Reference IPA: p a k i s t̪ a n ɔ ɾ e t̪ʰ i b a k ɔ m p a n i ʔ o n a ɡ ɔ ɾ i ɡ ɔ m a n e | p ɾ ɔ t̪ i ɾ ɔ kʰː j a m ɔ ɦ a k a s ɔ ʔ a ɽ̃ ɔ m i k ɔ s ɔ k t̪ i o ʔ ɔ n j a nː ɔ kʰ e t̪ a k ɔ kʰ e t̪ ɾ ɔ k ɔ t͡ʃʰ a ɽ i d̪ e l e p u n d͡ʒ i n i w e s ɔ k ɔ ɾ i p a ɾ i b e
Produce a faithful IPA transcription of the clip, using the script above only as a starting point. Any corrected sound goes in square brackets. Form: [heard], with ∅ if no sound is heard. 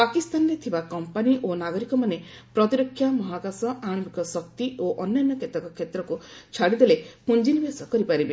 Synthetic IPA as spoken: p a k i s t̪ a n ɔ ɾ e t̪ʰ i b a k ɔ m p a n i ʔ o n a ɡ ɔ ɾ i [k] ɔ m a n e | p ɾ ɔ t̪ i ɾ ɔ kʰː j a m ɔ ɦ a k a s ɔ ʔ a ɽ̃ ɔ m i k ɔ s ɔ k t̪ i o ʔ ɔ n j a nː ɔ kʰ e t̪ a k ɔ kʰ e t̪ ɾ ɔ k [u] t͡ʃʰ a ɽ i d̪ e l e p u n d͡ʒ i n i [b] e s ɔ k ɔ ɾ i p a ɾ i b e